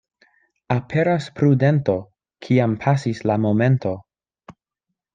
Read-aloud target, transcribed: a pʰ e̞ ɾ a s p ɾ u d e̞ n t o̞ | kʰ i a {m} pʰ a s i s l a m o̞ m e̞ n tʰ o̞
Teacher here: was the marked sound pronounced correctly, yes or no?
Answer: yes